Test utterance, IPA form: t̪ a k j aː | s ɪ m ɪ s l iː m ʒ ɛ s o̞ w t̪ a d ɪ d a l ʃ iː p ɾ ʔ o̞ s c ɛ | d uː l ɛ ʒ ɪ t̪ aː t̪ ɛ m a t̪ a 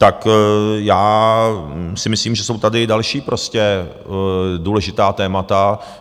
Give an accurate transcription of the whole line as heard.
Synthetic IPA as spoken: t̪ a k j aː | s ɪ m ɪ s l iː m ʒ ɛ s o̞ w t̪ a d ɪ d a l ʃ iː p ɾ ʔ o̞ s c ɛ | d uː l ɛ ʒ ɪ t̪ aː t̪ ɛː m a t̪ a

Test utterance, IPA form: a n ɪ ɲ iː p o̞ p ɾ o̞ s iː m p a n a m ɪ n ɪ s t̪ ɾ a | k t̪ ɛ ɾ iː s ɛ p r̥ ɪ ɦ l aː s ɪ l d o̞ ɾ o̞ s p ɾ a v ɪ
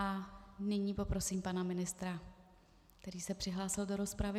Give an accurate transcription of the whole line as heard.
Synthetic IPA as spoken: a n ɪ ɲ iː p o̞ p ɾ o̞ s iː m p a n a m ɪ n ɪ s t̪ ɾ a | k t̪ ɛ ɾ iː s ɛ p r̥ ɪ ɦ l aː s ɪ l d o̞ ɾ o̞ s p ɾ a v ɪ

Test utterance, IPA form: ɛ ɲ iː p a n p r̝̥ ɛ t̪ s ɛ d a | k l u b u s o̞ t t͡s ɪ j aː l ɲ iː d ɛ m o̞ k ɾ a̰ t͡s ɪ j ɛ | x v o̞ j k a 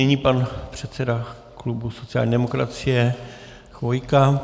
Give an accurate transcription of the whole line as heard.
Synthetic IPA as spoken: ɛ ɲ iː p a n p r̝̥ ɛ t̪ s ɛ d a | k l u b u s o̞ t t͡s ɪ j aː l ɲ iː d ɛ m o̞ k ɾ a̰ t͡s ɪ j ɛ | x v o̞ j k a

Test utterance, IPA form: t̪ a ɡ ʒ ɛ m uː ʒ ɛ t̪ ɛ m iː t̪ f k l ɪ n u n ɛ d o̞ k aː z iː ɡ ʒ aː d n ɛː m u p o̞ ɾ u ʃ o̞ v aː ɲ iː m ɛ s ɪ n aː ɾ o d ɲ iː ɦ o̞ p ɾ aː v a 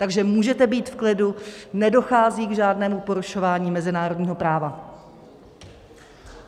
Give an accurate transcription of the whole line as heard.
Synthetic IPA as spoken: t̪ a ɡ ʒ ɛ m uː ʒ ɛ t̪ ɛ b iː t̪ f k l ɪ d u n ɛ d o̞ x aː z iː ɡ ʒ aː d n ɛː m u p o̞ ɾ u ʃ o̞ v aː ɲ iː m ɛ z ɪ n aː ɾ o d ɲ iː ɦ o̞ p ɾ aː v a

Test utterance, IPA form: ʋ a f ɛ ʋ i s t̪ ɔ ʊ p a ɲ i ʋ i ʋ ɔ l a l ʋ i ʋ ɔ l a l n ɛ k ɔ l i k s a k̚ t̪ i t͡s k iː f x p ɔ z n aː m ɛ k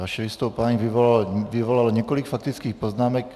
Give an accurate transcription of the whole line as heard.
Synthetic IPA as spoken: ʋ a ʃ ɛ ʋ i s t̪ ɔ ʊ p a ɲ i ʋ i ʋ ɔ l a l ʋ i ʋ ɔ l a l ɲ ɛ k ɔ l i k f a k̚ t̪ i t͡s k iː x p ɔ z n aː m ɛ k

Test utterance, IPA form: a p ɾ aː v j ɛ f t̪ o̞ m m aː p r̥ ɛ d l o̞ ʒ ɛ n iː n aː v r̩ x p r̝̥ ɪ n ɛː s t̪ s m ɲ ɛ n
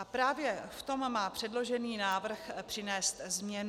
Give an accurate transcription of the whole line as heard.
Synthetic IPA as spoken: a p ɾ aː v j ɛ f t̪ o̞ m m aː p r̥ ɛ d l o̞ ʒ ɛ n iː n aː v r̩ x p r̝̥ ɪ n ɛː s t̪ z m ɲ ɛ n

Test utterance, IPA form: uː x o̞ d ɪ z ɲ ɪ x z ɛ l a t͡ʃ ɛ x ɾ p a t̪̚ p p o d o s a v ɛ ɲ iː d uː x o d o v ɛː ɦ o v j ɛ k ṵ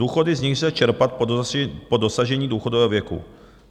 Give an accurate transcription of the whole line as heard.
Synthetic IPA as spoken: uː x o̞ d ɪ z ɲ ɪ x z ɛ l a t͡ʃ ɛ ɾ p a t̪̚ p p o d o s a ʒ ɛ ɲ iː d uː x o d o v ɛː ɦ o v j ɛ k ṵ

